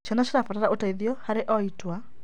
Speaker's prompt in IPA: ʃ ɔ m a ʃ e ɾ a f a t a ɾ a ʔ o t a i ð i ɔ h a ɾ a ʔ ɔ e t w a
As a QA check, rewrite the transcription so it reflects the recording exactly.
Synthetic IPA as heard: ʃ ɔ n a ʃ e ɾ a f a t a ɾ a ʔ o t a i ð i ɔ h a ɾ e ʔ ɔ i t w a